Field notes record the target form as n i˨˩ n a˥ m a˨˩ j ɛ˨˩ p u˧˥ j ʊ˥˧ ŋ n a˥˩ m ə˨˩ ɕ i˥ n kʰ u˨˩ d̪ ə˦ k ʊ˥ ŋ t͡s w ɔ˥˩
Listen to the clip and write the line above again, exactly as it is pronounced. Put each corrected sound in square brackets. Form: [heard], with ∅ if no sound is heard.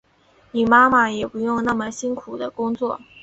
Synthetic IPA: n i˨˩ [m] a˥ m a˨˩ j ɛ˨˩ p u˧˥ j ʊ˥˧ ŋ n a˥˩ m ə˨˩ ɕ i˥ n kʰ u˨˩ d̪ ə˦ k ʊ˥ ŋ t͡s w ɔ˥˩